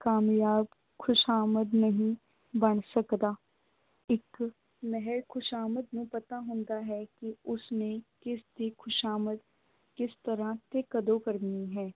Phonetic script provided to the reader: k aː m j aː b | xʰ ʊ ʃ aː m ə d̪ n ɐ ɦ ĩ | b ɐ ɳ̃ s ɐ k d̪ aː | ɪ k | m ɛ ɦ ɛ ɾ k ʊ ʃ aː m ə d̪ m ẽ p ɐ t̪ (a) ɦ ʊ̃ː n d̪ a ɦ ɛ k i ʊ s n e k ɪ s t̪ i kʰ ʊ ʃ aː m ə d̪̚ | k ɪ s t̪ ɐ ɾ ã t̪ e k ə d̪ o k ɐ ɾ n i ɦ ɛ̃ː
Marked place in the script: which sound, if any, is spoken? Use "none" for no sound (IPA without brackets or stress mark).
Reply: a